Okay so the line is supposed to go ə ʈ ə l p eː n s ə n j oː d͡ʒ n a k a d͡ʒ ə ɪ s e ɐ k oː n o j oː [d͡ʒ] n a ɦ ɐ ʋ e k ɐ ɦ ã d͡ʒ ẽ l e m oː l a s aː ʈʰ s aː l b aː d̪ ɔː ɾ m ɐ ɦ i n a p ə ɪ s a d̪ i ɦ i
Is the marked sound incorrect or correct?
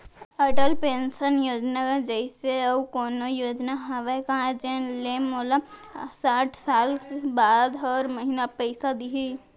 correct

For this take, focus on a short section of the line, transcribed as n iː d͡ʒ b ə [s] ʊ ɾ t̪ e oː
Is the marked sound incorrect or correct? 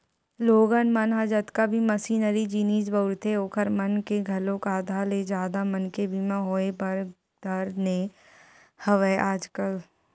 incorrect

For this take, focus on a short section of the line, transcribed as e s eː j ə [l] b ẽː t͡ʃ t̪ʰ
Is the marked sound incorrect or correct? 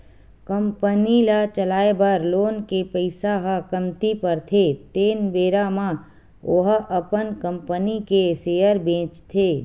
incorrect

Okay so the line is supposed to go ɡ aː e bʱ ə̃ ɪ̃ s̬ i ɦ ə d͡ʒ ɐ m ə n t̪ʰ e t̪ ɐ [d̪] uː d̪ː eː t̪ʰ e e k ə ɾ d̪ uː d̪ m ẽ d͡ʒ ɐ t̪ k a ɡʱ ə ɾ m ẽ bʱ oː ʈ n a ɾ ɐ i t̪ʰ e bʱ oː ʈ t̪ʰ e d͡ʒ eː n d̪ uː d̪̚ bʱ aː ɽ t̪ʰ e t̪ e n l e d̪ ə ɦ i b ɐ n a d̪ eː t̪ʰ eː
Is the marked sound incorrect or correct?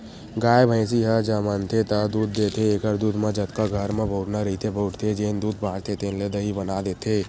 correct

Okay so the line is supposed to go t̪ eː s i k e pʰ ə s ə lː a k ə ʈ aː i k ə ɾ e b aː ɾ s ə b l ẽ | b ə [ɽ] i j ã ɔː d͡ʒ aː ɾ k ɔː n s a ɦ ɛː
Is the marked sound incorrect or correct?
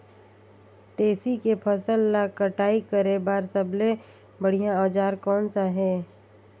correct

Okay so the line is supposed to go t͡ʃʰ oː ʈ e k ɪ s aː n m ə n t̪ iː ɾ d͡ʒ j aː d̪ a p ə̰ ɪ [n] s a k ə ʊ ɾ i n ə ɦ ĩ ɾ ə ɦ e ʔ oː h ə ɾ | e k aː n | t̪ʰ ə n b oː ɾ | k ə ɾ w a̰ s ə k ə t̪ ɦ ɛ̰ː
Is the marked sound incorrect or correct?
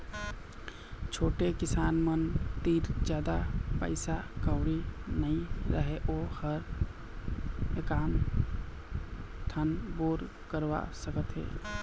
incorrect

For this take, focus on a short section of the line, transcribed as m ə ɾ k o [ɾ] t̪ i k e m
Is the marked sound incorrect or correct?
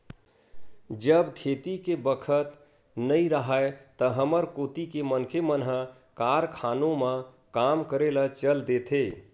incorrect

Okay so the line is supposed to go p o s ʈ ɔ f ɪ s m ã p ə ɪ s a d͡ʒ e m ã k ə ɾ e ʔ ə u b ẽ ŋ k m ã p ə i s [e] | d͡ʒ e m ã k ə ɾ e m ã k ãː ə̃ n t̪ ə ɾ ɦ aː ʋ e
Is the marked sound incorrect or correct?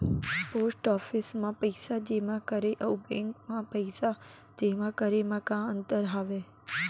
incorrect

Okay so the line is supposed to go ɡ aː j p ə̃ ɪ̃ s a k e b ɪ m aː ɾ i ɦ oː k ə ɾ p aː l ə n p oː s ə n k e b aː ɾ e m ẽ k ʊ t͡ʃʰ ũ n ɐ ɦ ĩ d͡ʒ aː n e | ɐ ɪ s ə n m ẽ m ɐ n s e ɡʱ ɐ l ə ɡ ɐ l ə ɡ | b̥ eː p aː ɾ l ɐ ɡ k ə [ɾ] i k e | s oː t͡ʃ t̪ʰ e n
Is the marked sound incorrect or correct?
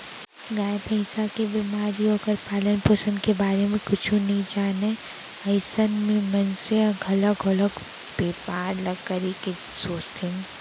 correct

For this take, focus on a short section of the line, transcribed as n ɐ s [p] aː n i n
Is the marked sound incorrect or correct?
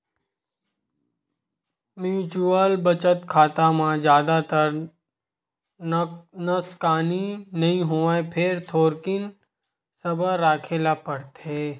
incorrect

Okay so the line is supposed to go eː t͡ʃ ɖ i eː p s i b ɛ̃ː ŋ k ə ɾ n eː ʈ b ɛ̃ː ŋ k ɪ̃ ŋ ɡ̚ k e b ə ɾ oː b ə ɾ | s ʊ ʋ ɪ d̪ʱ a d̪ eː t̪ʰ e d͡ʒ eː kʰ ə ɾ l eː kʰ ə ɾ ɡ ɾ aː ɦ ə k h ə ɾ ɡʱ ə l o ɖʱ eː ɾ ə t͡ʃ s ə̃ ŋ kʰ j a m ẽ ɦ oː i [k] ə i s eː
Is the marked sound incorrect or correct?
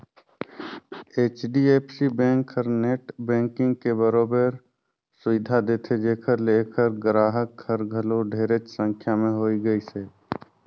incorrect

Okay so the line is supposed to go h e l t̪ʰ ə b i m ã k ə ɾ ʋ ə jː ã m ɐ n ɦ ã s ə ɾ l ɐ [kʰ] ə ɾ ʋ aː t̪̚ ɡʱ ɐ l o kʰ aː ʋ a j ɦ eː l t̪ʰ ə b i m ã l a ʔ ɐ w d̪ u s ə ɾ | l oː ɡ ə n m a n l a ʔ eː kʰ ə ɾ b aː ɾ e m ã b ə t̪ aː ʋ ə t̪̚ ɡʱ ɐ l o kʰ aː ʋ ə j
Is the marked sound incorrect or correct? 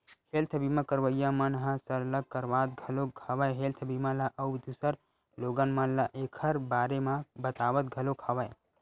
incorrect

